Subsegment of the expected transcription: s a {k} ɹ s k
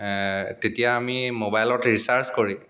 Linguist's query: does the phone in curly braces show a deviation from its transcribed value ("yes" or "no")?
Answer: yes